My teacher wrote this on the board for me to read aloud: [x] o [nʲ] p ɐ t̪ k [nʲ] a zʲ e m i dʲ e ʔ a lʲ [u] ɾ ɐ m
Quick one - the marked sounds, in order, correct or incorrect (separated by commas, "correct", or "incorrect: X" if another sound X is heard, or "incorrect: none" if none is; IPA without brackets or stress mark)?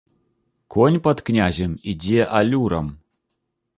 incorrect: k, correct, correct, correct